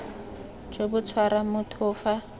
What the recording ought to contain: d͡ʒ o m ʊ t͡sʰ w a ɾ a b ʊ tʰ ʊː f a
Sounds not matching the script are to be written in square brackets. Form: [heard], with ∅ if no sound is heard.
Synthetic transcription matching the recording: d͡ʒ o [b] ʊ t͡sʰ w a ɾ a [m] ʊ tʰ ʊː f a

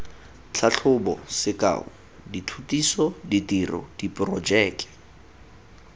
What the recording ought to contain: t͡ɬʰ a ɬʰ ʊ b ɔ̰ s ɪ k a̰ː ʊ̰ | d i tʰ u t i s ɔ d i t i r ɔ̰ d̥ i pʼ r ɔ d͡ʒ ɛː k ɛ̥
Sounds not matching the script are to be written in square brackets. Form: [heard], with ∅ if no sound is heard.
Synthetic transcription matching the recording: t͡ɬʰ a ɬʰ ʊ b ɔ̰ s ɪ k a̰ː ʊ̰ | d i tʰ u t i s ɔ d i t i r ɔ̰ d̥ i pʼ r ɔ d͡ʒ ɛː k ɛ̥

